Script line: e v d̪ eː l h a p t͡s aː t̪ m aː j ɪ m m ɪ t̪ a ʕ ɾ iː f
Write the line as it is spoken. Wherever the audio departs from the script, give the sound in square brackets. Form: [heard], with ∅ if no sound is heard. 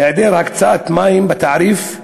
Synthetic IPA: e [ʕ] d̪ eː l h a [k] t͡s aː t̪ m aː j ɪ m [b] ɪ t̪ a ʕ ɾ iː f